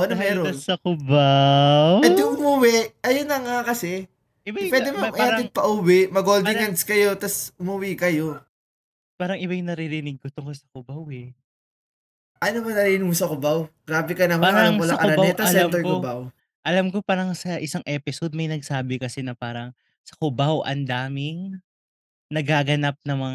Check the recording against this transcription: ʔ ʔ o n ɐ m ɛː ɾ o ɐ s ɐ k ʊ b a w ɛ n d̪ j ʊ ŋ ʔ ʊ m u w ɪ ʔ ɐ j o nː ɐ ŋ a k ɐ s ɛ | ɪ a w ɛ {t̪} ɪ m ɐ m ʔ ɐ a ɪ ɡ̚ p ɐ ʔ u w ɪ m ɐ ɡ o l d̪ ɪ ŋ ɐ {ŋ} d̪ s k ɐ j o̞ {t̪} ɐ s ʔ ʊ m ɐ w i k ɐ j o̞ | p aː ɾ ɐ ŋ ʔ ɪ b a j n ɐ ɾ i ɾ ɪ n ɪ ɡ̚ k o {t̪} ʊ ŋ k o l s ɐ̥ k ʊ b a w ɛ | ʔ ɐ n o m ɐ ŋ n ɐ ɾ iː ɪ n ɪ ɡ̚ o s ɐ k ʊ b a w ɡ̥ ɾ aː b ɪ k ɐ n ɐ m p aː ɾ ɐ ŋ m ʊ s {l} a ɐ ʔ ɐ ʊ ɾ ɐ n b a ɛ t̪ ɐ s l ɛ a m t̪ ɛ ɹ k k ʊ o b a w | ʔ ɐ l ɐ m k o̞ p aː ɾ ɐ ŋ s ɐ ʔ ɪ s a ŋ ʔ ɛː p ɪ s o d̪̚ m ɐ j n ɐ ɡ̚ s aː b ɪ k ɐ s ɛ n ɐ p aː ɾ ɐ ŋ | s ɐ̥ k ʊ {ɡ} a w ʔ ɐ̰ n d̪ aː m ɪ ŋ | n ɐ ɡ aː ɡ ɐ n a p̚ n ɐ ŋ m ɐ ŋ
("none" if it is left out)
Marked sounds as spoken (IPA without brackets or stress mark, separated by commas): d̪, n, t̪, t̪, l, b